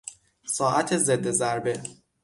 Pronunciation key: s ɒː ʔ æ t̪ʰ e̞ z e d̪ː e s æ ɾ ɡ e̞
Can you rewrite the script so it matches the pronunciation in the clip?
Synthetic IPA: s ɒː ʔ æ t̪ʰ e̞ z e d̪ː e z æ ɾ b e̞